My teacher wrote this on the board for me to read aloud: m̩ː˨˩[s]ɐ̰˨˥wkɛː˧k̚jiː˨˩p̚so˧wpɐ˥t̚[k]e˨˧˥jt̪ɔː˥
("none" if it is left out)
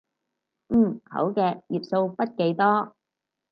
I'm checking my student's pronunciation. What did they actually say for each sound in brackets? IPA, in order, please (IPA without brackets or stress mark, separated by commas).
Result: h, k